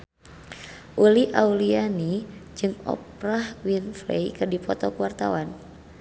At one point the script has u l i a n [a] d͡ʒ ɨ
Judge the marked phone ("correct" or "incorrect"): incorrect